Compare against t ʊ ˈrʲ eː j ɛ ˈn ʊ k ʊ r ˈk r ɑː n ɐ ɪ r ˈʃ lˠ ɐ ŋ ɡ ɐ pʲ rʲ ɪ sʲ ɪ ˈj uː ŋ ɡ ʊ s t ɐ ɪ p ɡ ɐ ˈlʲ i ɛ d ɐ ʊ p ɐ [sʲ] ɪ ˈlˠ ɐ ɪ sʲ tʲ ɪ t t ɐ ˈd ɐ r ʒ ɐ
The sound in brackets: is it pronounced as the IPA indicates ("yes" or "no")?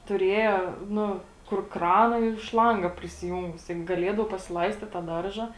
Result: yes